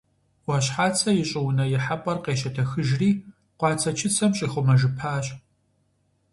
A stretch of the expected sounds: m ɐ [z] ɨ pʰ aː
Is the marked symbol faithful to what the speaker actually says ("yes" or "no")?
no